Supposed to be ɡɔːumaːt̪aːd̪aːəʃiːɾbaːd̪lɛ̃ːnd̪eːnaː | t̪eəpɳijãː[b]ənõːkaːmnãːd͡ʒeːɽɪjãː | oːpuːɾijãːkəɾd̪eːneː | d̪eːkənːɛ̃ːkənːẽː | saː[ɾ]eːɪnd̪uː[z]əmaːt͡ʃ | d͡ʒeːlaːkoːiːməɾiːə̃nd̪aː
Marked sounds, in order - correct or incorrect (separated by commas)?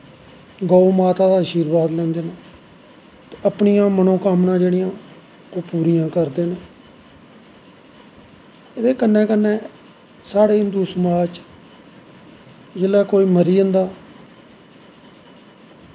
incorrect, incorrect, incorrect